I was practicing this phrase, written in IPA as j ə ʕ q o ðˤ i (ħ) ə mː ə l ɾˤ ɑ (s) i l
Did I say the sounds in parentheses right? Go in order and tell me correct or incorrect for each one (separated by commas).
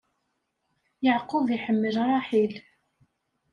correct, incorrect